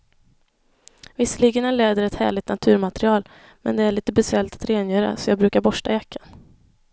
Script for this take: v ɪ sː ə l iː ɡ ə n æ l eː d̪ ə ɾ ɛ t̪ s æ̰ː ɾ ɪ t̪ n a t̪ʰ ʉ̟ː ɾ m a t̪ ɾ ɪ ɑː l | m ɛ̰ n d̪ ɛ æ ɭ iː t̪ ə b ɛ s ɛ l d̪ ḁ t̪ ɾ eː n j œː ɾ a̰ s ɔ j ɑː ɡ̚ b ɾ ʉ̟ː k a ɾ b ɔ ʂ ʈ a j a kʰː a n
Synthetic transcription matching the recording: v ɪ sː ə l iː ɡ ə n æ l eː d̪ ə ɾ ɛ t̪ h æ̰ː ɭ ɪ t̪ n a t̪ʰ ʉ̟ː ɾ m a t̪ ɾ ɪ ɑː l | m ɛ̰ n d̪ ɛ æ ɭ iː t̪ ə b ɛ s ɛ l t̪ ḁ t̪ ɾ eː n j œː ɾ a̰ s ɔ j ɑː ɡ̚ b ɾ ʉ̟ː k a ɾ b ɔ ʂ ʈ a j a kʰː a n